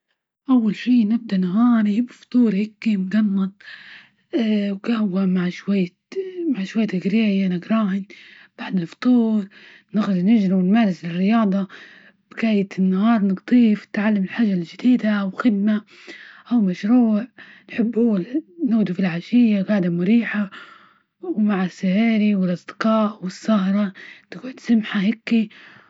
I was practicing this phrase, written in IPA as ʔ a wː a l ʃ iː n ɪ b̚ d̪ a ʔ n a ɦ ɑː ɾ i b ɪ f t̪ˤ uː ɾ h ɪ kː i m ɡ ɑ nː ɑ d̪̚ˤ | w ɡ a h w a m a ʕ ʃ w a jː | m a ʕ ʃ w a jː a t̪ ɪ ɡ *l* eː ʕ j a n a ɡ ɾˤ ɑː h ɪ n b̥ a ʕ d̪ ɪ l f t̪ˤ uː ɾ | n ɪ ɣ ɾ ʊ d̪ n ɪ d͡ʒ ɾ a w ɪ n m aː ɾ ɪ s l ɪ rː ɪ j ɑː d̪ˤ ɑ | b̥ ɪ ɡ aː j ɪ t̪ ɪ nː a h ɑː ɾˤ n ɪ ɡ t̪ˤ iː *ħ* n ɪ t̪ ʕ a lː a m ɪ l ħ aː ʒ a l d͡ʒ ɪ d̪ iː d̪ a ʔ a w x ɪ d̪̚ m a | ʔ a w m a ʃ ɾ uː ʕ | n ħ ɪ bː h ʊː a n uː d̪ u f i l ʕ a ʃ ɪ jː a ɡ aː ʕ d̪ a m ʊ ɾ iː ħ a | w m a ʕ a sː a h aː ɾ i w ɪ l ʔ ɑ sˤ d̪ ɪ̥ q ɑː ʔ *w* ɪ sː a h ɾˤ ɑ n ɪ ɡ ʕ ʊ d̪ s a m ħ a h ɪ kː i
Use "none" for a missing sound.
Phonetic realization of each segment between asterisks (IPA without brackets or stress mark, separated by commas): ɾ, f, w